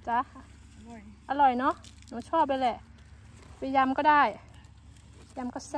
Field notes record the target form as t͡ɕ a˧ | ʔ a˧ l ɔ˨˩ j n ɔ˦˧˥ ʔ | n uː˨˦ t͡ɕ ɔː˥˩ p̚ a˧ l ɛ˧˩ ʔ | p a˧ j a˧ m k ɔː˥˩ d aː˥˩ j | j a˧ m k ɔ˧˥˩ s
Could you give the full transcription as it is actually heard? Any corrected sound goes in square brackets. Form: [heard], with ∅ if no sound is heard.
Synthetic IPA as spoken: t͡ɕ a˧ | ʔ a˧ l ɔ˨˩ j n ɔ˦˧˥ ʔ | n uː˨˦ [t͡ɕʰ] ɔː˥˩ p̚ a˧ l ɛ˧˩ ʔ | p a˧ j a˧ m k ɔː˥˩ d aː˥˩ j | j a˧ m k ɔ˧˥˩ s